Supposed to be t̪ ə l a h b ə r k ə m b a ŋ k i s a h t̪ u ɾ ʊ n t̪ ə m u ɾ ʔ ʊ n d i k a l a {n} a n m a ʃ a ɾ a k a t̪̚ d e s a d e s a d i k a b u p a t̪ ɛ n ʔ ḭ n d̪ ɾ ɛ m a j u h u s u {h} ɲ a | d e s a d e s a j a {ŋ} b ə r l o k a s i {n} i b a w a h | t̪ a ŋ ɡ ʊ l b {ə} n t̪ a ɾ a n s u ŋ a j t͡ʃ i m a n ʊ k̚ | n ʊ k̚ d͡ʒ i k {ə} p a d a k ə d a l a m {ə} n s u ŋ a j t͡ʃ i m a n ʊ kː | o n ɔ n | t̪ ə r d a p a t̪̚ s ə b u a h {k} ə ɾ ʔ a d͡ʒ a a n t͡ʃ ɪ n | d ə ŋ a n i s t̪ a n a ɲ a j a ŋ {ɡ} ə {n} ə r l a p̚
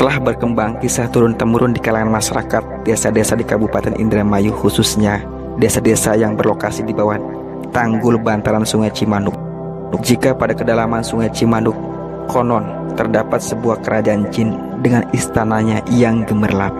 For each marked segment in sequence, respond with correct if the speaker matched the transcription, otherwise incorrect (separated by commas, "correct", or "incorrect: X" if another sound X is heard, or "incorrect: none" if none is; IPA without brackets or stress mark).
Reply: incorrect: ŋ, incorrect: s, correct, incorrect: d, incorrect: a, incorrect: a, incorrect: a, correct, correct, incorrect: m